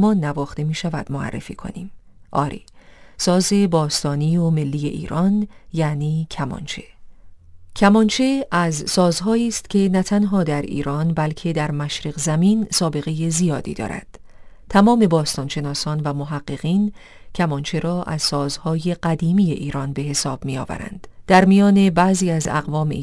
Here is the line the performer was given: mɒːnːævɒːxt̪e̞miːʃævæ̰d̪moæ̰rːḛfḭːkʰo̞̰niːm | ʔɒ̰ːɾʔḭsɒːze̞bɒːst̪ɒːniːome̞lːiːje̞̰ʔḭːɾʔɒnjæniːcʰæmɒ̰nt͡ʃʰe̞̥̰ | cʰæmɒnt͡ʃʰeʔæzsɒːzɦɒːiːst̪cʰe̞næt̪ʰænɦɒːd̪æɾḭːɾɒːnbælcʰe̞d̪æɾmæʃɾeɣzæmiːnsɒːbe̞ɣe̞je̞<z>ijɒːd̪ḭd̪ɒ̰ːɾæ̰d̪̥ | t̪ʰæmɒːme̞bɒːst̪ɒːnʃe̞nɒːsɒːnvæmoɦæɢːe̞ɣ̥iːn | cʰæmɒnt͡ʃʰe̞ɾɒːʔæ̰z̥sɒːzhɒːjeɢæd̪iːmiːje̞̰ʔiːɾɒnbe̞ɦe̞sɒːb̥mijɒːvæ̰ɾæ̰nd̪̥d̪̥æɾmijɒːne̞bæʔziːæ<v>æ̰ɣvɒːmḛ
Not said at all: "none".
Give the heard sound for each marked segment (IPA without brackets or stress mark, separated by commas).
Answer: z, z